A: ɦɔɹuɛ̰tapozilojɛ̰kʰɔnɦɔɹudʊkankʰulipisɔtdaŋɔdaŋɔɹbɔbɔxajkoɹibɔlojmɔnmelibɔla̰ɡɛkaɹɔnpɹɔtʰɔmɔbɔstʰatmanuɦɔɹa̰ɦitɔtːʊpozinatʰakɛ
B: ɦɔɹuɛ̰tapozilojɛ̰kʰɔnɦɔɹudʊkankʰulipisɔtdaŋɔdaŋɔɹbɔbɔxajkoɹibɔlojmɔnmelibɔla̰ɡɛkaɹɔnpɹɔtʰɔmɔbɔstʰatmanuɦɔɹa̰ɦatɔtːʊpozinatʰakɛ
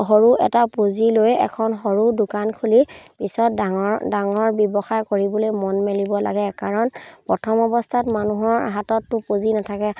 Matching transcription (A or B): B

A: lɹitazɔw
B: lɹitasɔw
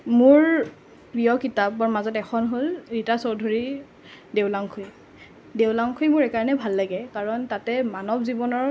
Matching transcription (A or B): B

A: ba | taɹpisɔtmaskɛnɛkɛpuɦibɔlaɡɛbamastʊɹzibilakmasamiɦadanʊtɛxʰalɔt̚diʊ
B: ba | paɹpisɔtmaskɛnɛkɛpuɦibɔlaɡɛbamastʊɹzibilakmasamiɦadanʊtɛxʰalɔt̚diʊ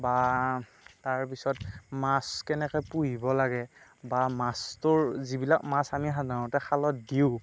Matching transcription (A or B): A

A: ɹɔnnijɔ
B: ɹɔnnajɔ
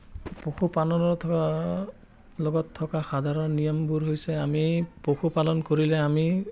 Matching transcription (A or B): A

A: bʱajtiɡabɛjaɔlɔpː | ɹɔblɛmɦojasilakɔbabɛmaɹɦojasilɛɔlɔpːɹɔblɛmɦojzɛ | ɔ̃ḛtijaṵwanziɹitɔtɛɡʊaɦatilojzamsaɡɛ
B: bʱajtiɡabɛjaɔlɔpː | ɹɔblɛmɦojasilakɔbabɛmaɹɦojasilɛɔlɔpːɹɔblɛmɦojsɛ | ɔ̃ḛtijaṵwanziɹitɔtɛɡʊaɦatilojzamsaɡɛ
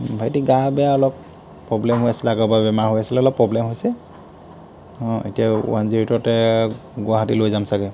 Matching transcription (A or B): B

